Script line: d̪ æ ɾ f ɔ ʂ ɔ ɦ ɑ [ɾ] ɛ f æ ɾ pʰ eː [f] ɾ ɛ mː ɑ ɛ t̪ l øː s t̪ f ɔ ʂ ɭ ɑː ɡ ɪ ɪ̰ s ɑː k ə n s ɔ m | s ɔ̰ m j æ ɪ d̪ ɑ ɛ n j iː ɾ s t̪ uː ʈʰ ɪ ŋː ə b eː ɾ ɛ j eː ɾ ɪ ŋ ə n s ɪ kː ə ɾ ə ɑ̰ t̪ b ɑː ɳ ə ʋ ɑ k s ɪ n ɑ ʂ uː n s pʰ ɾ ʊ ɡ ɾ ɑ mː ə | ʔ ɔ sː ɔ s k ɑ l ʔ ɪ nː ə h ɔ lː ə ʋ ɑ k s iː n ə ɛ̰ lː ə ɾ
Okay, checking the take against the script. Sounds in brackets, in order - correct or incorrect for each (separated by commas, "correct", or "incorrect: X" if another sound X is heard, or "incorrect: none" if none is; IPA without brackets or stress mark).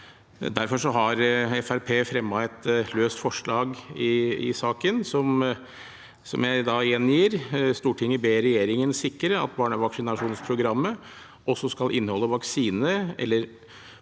correct, correct